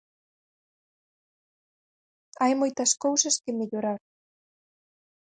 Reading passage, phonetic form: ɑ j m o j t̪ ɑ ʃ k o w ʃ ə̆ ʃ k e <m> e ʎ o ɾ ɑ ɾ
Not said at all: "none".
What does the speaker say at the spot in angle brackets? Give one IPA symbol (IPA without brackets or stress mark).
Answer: m